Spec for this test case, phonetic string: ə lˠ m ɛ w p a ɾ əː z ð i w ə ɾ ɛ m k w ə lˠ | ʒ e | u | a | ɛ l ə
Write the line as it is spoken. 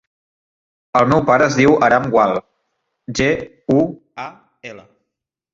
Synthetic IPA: ə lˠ m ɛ w p a ɾ əː z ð i w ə ɾ a m ɡ w a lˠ | ʒ e | u | a | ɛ l ə